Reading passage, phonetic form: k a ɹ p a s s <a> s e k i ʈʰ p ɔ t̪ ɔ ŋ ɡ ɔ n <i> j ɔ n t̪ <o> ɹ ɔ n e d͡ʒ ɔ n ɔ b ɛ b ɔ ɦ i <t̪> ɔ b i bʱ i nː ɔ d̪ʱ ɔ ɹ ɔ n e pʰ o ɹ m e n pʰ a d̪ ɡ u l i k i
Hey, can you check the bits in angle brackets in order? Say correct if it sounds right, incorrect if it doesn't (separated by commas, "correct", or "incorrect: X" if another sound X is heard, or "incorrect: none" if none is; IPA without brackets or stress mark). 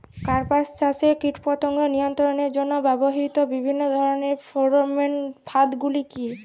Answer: correct, correct, incorrect: ɔ, correct